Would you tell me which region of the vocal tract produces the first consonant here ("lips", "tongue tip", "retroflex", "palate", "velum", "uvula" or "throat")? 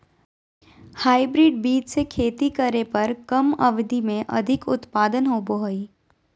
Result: throat